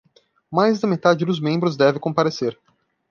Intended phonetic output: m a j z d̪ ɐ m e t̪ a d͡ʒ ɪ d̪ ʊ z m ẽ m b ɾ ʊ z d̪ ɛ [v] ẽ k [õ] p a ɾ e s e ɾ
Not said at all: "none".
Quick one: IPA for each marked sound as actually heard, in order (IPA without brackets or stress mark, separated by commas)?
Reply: v, õ